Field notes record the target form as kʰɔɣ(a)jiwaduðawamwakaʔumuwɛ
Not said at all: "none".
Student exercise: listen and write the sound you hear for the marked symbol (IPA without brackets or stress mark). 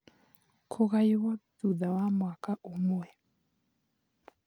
a